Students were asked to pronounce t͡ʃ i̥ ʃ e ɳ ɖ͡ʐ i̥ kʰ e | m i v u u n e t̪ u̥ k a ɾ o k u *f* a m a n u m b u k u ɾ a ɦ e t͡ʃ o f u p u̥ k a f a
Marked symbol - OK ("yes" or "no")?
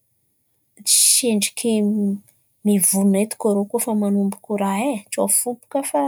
yes